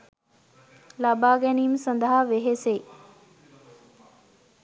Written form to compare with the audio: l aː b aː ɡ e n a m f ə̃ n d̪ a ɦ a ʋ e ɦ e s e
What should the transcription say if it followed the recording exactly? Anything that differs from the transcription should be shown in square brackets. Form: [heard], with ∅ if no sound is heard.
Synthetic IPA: l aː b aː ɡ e n [i] m [s] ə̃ n d̪ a ɦ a ʋ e ɦ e s e